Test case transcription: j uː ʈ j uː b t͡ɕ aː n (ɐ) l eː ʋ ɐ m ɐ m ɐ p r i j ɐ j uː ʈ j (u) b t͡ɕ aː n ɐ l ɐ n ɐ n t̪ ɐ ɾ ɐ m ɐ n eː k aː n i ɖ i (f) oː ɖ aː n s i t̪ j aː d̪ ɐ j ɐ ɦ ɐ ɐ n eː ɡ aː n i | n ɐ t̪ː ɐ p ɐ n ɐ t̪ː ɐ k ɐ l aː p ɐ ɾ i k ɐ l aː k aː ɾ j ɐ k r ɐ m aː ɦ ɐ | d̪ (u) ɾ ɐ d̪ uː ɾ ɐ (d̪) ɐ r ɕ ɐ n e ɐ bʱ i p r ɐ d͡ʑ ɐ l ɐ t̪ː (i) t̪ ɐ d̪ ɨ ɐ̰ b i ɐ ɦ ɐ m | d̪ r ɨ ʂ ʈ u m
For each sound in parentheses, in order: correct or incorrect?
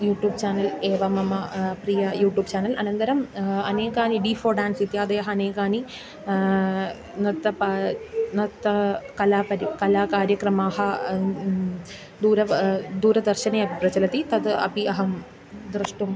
correct, incorrect: uː, correct, incorrect: uː, correct, correct

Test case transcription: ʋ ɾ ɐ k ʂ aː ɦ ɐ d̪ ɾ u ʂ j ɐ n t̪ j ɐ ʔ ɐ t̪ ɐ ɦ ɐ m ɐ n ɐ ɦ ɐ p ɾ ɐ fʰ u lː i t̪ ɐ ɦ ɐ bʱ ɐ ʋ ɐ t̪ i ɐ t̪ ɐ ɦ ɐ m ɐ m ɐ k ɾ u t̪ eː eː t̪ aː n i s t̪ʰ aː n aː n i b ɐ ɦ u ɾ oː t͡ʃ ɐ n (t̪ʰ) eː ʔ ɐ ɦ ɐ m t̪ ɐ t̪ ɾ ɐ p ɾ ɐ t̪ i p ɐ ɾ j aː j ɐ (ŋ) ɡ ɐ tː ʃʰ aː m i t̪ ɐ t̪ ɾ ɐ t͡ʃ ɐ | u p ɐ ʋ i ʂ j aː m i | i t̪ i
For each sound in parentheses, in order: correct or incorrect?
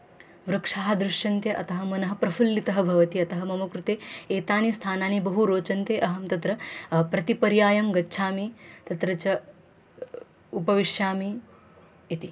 incorrect: t̪, incorrect: m

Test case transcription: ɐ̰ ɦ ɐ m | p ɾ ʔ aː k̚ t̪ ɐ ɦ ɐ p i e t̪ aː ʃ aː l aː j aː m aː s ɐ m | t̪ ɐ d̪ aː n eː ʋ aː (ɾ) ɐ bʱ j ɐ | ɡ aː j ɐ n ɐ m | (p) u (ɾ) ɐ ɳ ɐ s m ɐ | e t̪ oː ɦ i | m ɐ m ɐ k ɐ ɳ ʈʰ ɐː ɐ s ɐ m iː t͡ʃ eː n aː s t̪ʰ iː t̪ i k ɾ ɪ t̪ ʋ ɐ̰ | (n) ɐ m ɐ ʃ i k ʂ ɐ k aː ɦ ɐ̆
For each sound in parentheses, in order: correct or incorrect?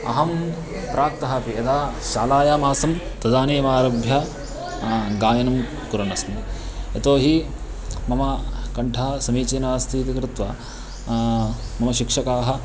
correct, incorrect: k, correct, incorrect: m

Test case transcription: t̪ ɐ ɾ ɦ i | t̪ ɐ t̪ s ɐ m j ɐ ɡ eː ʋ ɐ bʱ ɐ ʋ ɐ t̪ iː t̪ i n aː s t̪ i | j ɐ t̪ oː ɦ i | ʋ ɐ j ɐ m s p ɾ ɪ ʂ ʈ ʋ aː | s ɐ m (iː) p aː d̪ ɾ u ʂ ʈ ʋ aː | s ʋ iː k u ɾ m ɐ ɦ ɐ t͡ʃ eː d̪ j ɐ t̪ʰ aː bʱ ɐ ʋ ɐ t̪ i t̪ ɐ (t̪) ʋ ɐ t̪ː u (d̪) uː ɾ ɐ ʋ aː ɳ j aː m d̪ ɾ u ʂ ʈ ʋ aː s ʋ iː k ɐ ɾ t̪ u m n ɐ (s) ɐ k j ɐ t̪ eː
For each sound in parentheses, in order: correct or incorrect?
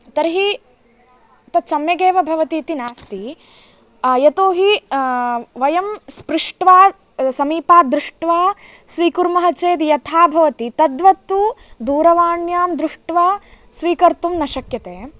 correct, incorrect: d̪, correct, incorrect: ʃ

